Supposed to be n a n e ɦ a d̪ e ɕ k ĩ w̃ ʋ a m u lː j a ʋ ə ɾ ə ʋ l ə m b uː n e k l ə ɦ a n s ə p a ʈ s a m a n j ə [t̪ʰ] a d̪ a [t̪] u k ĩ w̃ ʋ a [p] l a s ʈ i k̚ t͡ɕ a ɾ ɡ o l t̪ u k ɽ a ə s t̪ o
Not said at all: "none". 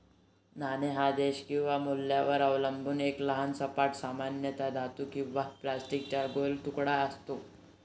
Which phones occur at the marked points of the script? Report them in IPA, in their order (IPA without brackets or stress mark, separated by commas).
t̪, t̪, p